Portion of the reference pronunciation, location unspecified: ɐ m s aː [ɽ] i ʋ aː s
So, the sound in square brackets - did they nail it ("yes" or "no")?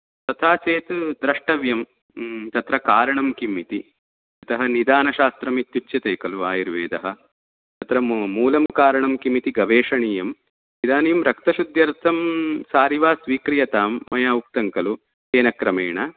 no